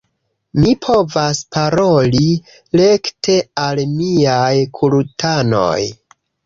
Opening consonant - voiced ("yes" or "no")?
yes